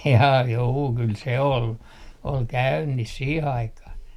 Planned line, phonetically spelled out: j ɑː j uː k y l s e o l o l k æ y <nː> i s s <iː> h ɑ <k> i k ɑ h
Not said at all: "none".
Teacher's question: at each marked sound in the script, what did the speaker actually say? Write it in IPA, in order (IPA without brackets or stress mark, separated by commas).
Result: nː, iː, none